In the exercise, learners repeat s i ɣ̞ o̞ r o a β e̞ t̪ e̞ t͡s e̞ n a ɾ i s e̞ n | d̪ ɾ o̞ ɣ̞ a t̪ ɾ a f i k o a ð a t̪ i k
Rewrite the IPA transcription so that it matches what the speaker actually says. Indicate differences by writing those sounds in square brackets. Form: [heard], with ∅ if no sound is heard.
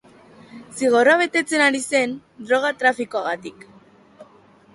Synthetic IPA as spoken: s i ɣ̞ o̞ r o a β e̞ t̪ e̞ t͡s e̞ n a ɾ i s e̞ n | d̪ ɾ o̞ ɣ̞ a t̪ ɾ a f i k o a [ɣ] a t̪ i k